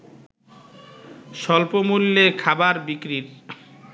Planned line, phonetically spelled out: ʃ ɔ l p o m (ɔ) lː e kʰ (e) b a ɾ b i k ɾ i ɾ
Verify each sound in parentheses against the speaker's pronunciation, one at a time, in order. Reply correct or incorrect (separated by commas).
incorrect, incorrect